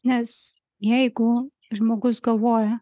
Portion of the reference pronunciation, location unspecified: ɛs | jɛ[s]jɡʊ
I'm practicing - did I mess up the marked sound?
yes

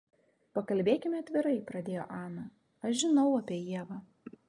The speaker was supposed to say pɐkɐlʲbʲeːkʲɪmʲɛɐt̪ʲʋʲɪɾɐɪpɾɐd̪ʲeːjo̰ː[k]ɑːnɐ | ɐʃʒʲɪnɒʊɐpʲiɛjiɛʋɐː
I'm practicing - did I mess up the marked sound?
yes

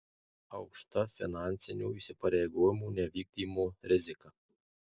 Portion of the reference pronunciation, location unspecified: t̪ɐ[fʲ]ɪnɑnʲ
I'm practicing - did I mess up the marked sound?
no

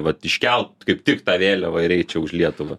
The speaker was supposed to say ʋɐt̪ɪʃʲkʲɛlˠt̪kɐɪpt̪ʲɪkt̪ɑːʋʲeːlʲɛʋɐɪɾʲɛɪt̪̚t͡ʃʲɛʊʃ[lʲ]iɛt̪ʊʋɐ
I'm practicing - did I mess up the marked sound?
no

